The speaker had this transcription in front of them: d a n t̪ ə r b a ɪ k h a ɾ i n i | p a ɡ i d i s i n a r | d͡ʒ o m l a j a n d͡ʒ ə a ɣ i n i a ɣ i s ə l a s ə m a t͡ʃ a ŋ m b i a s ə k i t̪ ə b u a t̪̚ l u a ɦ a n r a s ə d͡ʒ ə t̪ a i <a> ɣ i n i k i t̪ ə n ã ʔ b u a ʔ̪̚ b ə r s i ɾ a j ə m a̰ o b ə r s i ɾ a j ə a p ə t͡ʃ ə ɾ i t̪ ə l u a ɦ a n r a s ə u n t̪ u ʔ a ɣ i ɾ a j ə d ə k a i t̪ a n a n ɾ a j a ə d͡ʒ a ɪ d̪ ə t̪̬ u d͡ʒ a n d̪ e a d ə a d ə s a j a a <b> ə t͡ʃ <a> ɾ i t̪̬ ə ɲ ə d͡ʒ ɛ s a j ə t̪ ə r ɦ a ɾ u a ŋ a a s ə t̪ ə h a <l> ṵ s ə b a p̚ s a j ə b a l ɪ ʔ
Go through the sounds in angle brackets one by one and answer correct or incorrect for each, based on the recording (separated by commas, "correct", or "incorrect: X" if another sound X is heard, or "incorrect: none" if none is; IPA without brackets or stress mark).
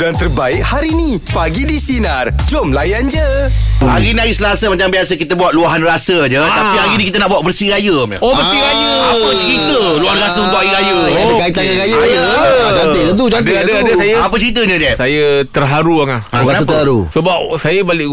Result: correct, incorrect: p, incorrect: ə, incorrect: ɾ